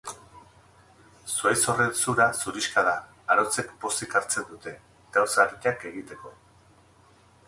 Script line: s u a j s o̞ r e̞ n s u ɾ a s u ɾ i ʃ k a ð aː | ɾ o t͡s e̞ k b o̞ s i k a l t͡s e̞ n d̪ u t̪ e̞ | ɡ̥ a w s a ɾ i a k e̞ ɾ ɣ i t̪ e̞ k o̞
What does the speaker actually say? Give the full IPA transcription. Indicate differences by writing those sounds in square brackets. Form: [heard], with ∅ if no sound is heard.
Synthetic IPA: s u a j s o̞ r e̞ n s u ɾ a s u ɾ i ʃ k a ð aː | ɾ o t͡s e̞ k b o̞ s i k a [ɾ] t͡s e̞ n d̪ u t̪ e̞ | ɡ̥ a w s a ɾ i a k e̞ [∅] ɣ i t̪ e̞ k o̞